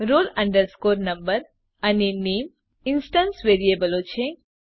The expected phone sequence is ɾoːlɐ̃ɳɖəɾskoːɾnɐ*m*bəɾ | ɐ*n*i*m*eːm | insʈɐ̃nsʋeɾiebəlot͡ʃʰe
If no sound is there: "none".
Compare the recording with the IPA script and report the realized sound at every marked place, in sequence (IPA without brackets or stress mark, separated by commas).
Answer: m, n, n